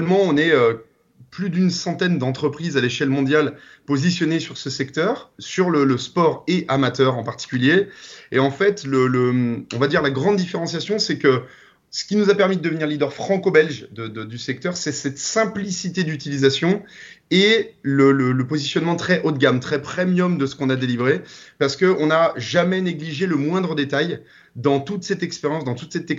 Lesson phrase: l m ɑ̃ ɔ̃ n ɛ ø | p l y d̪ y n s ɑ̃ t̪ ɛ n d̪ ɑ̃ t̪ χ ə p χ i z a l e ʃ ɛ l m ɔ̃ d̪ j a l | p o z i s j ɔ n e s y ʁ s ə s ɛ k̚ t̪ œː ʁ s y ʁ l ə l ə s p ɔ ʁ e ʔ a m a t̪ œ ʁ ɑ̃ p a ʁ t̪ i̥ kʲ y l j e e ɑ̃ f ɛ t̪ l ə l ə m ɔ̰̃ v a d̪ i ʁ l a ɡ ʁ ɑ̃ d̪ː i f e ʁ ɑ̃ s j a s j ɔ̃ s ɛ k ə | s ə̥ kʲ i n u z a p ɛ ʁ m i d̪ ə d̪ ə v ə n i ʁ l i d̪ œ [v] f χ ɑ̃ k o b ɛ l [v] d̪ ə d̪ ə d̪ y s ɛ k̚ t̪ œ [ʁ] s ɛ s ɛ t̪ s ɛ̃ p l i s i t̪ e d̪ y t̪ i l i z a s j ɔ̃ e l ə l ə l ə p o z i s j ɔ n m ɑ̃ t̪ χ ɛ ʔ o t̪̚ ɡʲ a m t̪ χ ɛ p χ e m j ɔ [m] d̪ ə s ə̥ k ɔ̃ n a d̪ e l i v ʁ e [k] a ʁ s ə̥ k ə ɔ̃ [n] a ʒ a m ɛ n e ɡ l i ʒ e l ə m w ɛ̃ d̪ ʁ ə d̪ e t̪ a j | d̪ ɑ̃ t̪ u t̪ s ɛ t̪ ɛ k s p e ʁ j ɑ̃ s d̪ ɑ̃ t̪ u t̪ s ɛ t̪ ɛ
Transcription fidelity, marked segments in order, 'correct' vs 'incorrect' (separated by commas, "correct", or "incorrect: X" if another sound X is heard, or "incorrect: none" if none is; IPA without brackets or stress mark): incorrect: ʁ, incorrect: ʒ, correct, correct, incorrect: p, correct